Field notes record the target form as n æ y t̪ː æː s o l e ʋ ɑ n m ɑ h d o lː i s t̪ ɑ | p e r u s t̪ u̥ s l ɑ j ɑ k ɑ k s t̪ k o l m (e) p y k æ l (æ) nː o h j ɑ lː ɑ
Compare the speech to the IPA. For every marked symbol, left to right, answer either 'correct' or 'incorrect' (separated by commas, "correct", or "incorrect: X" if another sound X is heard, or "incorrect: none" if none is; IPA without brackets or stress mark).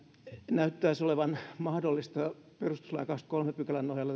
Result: correct, correct